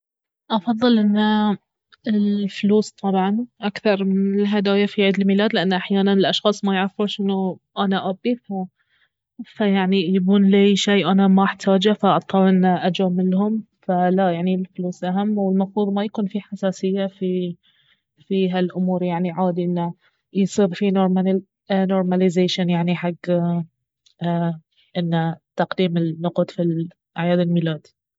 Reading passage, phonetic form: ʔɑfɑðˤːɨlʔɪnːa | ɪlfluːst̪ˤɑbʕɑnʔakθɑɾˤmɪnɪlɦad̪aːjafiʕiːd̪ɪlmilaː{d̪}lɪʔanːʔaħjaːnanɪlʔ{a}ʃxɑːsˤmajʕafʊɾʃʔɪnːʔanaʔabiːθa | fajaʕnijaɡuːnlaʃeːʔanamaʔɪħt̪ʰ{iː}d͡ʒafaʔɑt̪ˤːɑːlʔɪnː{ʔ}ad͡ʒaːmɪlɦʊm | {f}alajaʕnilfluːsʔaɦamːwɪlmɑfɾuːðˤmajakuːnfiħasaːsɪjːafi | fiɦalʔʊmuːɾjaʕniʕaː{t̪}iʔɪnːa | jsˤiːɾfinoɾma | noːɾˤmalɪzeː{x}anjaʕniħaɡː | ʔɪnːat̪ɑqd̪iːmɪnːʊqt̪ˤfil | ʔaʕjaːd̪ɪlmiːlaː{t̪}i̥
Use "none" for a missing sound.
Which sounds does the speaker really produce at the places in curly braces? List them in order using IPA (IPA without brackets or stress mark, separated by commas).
d̪, ɑ, aː, ʔ, f, d̪, ʃ, d̪